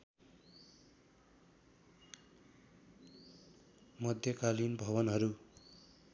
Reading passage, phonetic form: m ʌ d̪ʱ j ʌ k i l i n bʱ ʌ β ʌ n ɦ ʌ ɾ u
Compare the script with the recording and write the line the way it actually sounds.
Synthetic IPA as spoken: m ʌ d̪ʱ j ʌ k a l i n bʱ ʌ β ʌ n ɦ ʌ ɾ u